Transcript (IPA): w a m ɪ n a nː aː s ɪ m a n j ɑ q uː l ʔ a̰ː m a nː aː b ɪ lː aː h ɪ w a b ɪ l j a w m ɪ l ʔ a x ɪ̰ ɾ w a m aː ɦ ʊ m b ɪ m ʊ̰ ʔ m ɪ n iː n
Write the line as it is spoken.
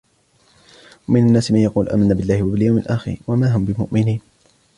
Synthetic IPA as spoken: w a m ɪ n a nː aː s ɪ m a n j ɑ q uː l ʔ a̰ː m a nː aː b ɪ lː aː h ɪ w a b ɪ l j a w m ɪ l ʔ a x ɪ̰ ɾ w a m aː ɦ ʊ m b ɪ m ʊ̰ ʔ m ɪ n iː n